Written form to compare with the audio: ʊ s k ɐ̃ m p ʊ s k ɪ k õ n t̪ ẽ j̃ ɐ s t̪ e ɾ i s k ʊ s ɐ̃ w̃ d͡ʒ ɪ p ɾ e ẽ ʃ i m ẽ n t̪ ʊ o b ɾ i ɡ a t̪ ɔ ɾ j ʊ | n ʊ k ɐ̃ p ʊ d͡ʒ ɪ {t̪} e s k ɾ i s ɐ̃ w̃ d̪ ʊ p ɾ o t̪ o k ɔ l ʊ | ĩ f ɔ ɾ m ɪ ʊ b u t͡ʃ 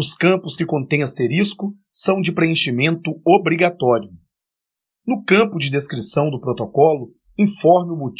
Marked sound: incorrect: d̪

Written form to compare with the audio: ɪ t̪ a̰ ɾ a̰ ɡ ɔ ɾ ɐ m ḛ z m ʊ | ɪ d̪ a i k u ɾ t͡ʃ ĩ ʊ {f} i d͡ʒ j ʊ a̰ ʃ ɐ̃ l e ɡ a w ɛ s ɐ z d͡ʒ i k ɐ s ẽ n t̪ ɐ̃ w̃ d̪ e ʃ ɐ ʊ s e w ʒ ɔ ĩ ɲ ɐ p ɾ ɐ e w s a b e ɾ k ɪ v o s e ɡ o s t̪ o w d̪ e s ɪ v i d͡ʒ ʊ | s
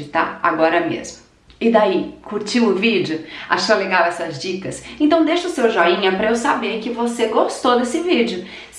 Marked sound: incorrect: v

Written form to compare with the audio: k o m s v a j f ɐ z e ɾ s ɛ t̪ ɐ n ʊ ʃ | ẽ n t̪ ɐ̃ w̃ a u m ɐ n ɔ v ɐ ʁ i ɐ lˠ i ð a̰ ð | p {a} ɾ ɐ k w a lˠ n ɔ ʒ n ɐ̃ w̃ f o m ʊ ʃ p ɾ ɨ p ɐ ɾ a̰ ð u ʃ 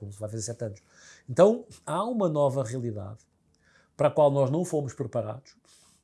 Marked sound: incorrect: ɐ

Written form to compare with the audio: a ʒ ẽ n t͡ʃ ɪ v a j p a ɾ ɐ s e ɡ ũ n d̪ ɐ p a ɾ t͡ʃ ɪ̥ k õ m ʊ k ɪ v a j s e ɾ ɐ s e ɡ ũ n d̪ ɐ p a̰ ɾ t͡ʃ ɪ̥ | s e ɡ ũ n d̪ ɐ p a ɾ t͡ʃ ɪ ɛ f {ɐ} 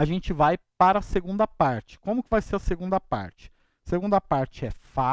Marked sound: incorrect: a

